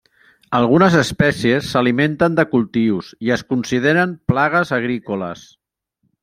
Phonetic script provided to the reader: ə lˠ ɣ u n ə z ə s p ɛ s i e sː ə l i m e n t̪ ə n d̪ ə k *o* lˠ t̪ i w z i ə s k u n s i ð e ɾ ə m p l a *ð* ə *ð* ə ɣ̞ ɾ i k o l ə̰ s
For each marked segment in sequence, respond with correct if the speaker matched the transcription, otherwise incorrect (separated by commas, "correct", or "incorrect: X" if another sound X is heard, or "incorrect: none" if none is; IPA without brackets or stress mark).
incorrect: u, incorrect: ɣ, incorrect: z